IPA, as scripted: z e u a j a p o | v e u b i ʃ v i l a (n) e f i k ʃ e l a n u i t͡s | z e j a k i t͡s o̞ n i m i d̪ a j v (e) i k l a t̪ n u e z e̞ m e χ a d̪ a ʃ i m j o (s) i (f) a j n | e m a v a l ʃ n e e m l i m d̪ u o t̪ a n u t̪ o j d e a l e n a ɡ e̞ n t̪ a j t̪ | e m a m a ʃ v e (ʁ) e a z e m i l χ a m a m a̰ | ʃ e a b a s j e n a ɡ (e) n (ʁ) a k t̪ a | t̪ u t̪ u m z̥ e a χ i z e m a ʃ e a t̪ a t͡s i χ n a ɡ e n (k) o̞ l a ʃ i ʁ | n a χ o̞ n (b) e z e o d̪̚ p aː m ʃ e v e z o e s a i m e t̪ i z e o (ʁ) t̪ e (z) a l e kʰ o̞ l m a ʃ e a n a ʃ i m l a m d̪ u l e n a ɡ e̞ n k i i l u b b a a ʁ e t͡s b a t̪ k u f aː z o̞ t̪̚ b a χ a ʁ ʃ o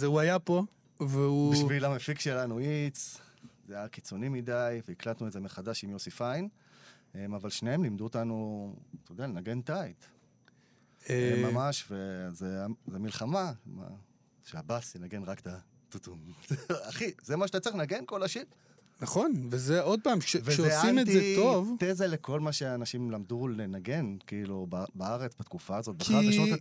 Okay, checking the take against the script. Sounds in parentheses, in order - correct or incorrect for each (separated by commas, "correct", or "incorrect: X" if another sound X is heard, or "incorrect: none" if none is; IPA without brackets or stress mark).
incorrect: m, correct, correct, correct, incorrect: z, correct, correct, correct, incorrect: v, incorrect: v, correct